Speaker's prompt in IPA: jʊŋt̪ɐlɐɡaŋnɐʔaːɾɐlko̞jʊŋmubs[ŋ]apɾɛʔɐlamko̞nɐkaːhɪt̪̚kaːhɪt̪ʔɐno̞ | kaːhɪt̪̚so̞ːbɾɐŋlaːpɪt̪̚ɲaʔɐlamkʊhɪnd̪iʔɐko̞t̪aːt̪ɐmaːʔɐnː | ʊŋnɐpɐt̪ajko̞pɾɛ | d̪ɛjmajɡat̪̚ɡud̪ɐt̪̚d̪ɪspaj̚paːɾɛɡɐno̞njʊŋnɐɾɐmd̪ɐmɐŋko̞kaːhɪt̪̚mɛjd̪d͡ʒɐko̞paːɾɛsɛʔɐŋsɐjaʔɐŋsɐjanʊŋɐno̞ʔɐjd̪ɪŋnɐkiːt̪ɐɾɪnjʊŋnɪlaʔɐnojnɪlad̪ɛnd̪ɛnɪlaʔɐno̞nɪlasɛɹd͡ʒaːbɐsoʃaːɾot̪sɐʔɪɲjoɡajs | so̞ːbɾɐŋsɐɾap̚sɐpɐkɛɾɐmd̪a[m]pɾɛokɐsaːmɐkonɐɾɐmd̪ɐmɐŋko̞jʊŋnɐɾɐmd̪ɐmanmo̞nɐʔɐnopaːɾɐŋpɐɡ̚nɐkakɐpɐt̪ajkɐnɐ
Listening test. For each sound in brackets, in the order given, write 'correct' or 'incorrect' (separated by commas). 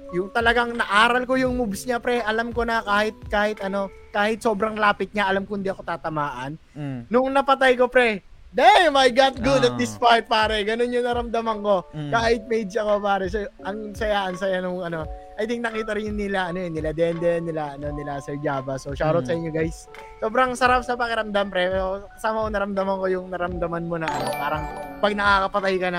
incorrect, correct